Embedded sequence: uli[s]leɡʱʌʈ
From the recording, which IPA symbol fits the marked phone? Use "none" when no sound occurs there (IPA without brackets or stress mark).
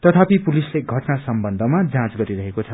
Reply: s